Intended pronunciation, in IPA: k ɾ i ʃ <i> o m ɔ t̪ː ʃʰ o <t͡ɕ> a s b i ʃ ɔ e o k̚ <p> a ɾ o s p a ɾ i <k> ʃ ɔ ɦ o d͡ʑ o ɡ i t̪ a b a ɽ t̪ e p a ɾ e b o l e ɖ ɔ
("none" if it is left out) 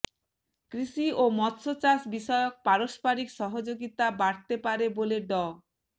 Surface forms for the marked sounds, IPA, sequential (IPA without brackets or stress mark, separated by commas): i, t͡ɕ, p, k